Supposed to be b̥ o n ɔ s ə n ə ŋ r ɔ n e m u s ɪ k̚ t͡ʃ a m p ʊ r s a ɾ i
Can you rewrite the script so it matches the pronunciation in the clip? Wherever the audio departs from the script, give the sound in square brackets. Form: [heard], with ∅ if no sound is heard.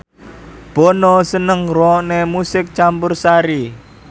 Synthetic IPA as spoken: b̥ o n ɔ s ə n ə ŋ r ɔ n e m u s ɪ k̚ t͡ʃ a m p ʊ r s a ɾ i